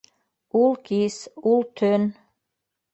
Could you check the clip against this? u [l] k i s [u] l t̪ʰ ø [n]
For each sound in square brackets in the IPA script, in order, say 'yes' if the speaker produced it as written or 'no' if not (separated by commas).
yes, yes, yes